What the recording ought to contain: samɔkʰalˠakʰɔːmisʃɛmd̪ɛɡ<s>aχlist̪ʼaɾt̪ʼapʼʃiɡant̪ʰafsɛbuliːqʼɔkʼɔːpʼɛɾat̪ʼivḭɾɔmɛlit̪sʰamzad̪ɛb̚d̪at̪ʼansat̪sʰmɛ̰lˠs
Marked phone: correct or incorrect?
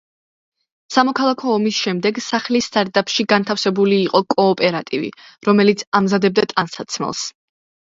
correct